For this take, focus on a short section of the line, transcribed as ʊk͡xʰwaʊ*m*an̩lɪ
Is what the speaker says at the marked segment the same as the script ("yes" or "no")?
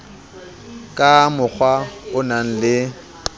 no